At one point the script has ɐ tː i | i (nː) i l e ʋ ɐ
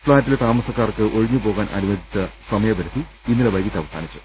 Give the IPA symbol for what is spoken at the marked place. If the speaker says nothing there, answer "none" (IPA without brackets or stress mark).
nː